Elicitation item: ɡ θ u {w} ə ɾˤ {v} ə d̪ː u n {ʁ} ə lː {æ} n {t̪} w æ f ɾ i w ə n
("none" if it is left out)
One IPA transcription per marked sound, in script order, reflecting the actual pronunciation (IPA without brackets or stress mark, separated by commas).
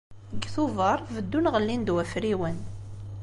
v, v, ʁ, i, d̪